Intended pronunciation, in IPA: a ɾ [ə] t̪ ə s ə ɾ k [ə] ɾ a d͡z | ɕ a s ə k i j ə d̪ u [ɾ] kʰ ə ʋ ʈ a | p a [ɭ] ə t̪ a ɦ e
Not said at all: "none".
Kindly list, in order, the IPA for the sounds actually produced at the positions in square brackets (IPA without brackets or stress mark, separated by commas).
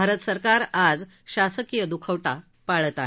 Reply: ə, a, none, ɭ